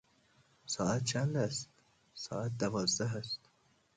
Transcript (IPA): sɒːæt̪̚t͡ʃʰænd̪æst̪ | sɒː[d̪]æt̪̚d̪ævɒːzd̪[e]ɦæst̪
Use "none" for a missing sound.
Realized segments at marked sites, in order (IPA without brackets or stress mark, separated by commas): none, æ